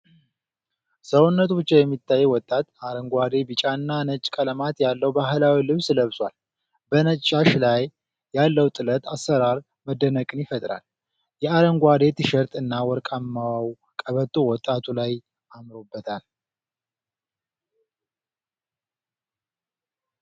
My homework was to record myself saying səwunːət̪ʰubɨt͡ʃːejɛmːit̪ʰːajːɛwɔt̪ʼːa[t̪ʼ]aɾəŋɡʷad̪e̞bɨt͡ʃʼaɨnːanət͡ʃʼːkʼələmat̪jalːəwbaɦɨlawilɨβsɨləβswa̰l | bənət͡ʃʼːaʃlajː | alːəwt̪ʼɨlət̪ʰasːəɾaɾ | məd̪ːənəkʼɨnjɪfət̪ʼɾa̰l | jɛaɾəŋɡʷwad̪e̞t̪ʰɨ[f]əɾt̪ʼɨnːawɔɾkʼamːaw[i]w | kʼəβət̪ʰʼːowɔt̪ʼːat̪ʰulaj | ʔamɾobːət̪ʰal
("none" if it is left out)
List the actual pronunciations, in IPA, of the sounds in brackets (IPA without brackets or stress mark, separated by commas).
t̪, ʃ, a